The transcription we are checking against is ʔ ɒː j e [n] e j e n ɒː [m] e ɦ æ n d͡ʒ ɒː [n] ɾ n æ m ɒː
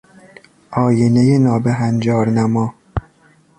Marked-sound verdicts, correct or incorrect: correct, incorrect: b, incorrect: none

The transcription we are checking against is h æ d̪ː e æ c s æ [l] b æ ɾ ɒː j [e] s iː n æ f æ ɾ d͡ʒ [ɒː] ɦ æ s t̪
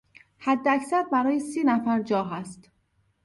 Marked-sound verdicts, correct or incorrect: incorrect: ɾ, correct, correct

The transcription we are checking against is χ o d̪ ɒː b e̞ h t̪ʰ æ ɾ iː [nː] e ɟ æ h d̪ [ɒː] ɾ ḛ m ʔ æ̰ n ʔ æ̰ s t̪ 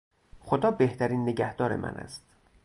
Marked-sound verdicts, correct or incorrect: correct, correct

